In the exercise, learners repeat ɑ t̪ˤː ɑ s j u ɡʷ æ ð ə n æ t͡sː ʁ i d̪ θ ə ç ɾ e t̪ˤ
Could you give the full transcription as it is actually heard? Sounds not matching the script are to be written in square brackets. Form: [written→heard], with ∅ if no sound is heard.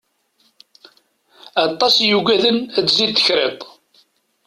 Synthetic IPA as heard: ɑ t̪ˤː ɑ s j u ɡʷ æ ð ə n æ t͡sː [ʁ→z] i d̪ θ ə ç ɾ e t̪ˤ

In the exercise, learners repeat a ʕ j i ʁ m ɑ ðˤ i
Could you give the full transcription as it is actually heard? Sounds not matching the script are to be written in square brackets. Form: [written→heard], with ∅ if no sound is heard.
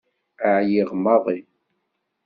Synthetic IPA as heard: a ʕ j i ʁ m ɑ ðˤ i

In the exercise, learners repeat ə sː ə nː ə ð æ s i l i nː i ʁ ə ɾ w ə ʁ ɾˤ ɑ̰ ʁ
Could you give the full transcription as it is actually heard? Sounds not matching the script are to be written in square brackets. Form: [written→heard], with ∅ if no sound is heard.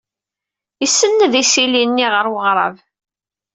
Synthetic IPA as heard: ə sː ə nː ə ð [æ→i] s i l i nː i ʁ ə ɾ w ə ʁ ɾˤ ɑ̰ [ʁ→v]

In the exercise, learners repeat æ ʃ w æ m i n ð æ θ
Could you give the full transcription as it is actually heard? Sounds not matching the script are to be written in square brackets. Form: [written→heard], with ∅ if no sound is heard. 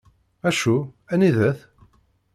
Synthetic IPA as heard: æ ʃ [w→u] æ [m→n] i [n→∅] ð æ θ

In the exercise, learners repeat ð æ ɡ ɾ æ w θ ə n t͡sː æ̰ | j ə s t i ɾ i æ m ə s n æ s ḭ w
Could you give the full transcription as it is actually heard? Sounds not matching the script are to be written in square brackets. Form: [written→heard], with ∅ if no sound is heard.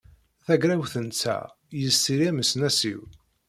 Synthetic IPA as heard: [ð→θ] æ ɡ ɾ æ w θ ə n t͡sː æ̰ | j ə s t i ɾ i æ m ə s n æ s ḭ w

